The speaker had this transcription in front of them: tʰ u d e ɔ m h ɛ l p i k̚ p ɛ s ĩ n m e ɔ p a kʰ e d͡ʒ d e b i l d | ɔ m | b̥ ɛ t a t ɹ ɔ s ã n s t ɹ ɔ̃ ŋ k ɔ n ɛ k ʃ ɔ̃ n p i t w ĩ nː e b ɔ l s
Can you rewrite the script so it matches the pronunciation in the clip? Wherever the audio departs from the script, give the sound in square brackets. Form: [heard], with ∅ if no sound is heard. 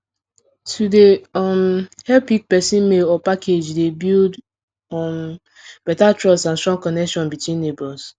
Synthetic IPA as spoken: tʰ u d e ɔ m h ɛ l p i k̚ p ɛ s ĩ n m e ɔ p a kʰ e d͡ʒ d e b i l d | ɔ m | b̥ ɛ t a t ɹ ɔ s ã n s t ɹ ɔ̃ ŋ k ɔ n ɛ k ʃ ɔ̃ n [b] i t w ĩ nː e b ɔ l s

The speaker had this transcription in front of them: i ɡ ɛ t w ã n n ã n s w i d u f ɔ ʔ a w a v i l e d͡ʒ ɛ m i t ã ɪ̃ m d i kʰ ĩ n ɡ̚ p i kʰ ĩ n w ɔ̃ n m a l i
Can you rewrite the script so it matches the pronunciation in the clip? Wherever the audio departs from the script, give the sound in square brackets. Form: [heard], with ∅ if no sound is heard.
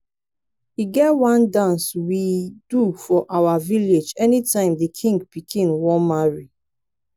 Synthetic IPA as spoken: i ɡ ɛ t w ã n [d] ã n s w i d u f ɔ ʔ a w a v i l e d͡ʒ ɛ [n] i t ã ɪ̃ m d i kʰ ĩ [ŋ] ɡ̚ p i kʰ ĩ n w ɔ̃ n m a [ɹ] i

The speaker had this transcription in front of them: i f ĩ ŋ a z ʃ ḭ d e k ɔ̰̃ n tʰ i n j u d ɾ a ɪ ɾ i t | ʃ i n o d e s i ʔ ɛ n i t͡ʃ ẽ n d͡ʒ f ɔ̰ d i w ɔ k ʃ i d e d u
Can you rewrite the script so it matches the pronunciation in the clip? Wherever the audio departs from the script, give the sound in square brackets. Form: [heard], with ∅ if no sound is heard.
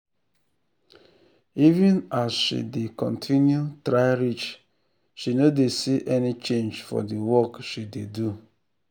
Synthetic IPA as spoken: i [v] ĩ [n] a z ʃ ḭ d e k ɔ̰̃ n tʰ i n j u [t] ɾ a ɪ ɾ i [t͡ʃ] | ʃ i n o d e s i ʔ ɛ n i t͡ʃ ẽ n d͡ʒ f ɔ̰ d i w ɔ k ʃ i d e d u

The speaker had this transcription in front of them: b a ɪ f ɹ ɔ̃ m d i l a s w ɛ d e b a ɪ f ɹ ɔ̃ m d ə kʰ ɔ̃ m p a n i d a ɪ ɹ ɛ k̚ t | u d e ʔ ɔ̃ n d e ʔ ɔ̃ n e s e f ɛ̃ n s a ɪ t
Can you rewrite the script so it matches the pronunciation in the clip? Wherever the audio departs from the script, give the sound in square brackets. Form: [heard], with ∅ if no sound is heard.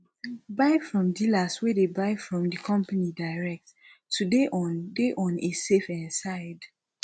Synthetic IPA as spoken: b a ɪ f ɹ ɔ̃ m d i l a s w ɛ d e b a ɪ f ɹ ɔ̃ m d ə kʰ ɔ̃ m p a n i d a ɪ ɹ ɛ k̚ t | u d e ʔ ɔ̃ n d e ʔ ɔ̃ n e s e f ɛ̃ n s a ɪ [d]

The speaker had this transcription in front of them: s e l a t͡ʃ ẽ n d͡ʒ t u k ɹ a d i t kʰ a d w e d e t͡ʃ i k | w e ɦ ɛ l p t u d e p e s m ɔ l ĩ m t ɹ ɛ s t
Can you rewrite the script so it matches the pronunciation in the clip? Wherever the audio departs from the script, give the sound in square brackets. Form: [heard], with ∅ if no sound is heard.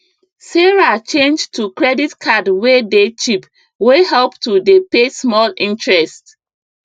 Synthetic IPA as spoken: s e [ɹ] a t͡ʃ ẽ n d͡ʒ t u k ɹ [ɛ] d i t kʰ a d w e d e t͡ʃ i [p] | w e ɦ ɛ l p t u d e p e s m ɔ l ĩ [n] t ɹ ɛ s t

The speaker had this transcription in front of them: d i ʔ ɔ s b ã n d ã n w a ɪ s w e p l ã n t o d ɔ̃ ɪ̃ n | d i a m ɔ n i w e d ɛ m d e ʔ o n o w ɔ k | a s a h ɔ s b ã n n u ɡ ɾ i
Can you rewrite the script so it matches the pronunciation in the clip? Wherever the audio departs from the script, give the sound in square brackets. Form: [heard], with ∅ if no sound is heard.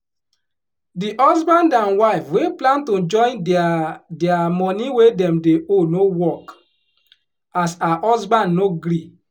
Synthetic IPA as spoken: d i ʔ ɔ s b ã n d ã n w a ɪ [f] w e p l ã n t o [d͡ʒ] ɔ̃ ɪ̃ n | d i a m ɔ n i w e d ɛ m d e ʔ o n o w ɔ k | a s a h ɔ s b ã n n [o] ɡ ɾ i

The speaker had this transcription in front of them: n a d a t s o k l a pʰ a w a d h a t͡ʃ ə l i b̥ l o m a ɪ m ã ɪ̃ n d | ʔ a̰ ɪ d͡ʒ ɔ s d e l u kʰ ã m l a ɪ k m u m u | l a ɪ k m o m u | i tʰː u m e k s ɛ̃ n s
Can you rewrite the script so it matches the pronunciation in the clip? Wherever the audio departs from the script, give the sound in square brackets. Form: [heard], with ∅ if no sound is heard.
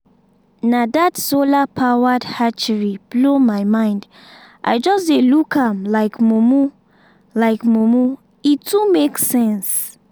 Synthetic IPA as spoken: n a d a t s o [∅] l a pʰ a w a d h a t͡ʃ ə [ɹ] i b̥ l o m a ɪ m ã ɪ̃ n d | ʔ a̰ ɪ d͡ʒ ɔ s d e l u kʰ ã m l a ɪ k m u m u | l a ɪ k m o m u | i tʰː u m e k s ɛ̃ n s

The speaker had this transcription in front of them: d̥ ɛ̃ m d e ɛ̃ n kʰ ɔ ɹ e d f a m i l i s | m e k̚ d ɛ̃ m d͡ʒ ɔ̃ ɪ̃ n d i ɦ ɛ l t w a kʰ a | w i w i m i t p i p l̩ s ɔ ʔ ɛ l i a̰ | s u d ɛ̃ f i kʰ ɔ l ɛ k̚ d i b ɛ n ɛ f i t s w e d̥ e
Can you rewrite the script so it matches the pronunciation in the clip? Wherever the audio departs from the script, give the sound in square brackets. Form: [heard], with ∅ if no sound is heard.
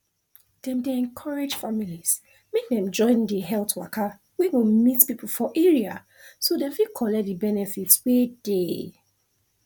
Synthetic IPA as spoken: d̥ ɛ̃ m d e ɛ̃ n kʰ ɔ ɹ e [d͡ʒ] f a m i l i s | m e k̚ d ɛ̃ m d͡ʒ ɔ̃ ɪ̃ n d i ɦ ɛ l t w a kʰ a | w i w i m i t p i p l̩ [f] ɔ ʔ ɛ [ɹ] i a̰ | s [o] d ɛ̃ f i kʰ ɔ l ɛ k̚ d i b ɛ n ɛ f i t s w e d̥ e

